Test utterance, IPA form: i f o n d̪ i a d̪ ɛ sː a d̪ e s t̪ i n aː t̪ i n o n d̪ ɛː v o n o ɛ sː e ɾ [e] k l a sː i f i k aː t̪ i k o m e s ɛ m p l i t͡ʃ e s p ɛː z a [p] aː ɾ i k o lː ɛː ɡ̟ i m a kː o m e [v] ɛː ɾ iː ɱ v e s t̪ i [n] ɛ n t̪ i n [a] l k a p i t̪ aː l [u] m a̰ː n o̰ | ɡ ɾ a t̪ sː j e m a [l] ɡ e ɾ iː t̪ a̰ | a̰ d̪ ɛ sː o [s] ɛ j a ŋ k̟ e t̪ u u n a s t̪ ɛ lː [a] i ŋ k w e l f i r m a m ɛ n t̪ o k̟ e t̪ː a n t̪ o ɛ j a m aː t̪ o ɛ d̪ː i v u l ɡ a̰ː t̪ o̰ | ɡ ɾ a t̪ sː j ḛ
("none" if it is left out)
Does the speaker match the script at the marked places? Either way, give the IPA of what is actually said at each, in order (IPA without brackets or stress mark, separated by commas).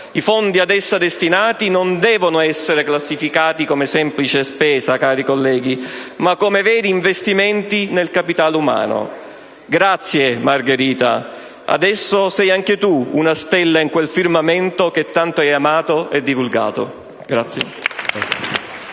e, k, v, m, e, u, r, s, a